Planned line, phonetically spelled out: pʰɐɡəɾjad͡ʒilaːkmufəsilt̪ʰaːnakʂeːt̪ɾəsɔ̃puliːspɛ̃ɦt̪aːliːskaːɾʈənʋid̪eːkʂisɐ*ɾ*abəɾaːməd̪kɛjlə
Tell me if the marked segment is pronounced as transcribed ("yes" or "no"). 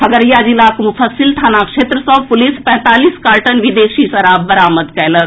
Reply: yes